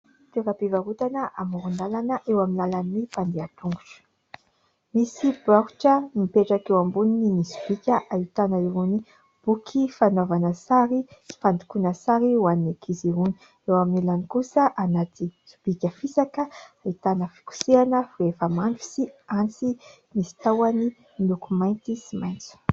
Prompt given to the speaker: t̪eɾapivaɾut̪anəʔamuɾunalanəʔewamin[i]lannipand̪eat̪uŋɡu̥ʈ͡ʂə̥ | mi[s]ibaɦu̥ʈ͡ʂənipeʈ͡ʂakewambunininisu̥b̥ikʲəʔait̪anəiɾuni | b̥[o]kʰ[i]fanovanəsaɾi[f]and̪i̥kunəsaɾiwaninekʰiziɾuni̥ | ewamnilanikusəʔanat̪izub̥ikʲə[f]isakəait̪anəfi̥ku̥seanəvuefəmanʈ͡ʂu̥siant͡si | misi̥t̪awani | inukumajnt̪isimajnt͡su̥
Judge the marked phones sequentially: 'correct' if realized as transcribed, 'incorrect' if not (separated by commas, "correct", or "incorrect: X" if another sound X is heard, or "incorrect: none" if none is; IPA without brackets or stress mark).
incorrect: a, correct, incorrect: u, correct, correct, correct